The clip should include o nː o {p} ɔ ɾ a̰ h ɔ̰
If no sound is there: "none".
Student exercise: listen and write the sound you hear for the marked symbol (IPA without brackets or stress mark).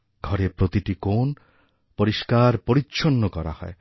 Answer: k